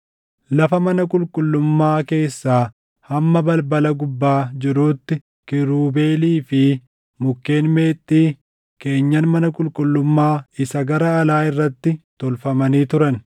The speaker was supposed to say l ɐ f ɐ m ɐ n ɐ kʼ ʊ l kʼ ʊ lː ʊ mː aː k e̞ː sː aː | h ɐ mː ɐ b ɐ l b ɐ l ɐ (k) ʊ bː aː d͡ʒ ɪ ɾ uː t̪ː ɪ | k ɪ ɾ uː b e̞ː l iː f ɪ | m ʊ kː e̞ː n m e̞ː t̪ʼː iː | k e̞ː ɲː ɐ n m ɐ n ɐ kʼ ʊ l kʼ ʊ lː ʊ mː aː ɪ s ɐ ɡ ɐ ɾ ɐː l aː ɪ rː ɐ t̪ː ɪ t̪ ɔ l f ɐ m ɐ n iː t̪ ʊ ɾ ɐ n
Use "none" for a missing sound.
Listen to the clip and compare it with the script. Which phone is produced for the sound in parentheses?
ɡ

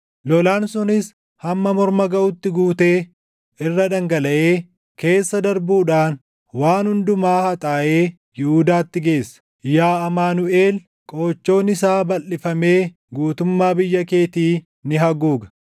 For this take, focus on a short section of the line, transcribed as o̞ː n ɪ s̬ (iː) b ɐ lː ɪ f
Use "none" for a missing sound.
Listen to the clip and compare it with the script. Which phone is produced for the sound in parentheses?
aː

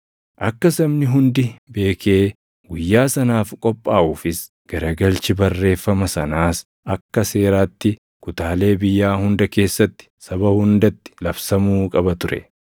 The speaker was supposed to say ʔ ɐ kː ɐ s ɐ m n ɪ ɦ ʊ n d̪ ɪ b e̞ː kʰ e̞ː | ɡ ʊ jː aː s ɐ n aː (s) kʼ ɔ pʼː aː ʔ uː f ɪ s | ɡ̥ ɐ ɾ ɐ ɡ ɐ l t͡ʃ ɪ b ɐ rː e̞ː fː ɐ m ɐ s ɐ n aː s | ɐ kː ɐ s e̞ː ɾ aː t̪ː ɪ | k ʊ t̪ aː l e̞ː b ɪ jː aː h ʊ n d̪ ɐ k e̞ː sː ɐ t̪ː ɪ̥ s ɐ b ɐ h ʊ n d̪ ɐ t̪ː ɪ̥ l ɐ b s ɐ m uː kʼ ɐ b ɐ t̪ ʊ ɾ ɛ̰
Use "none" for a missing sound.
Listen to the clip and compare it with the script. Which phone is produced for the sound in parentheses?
f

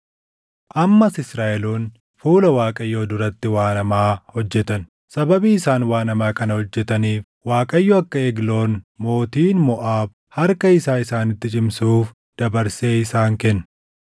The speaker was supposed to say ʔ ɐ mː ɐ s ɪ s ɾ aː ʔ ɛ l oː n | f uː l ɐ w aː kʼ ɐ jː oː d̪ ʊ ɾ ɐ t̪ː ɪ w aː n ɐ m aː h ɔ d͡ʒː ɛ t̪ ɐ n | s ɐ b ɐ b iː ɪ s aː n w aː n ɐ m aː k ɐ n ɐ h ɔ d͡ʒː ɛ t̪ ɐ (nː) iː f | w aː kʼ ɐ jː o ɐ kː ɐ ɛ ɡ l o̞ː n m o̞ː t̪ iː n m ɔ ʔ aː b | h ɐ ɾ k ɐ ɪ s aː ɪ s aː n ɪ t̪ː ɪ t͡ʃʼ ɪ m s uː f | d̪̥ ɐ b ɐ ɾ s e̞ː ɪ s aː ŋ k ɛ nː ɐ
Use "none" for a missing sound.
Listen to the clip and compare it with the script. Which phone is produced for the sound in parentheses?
n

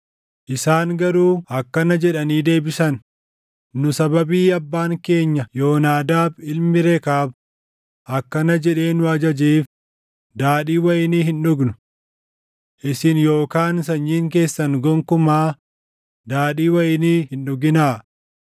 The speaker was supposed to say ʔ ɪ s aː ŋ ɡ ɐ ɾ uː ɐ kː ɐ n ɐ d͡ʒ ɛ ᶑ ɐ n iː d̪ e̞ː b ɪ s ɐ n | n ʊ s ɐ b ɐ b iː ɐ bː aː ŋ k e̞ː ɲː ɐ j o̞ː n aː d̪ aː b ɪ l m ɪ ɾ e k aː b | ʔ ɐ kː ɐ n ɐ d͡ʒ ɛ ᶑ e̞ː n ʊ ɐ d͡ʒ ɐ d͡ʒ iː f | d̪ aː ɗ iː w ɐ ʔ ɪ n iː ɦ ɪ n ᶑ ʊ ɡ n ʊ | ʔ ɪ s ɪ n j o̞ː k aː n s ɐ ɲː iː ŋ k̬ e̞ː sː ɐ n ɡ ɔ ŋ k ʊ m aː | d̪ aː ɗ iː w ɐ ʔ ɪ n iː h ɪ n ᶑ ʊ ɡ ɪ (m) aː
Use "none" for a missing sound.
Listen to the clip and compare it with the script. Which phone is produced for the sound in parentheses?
n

